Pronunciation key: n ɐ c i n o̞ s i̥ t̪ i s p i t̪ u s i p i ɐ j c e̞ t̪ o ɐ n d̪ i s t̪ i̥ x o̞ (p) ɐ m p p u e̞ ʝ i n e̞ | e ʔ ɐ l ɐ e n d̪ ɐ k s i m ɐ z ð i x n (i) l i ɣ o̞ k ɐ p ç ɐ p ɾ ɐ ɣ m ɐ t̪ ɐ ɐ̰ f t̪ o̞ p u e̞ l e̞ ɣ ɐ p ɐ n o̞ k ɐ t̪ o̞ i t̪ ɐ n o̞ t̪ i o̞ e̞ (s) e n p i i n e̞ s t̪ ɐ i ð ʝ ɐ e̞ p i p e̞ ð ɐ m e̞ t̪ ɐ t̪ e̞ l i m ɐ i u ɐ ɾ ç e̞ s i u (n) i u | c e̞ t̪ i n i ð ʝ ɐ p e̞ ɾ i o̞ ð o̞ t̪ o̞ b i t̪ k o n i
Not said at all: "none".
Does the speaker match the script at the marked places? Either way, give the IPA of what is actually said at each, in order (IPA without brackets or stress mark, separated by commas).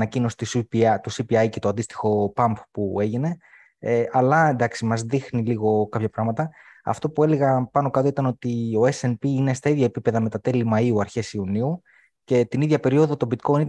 p, i, s, n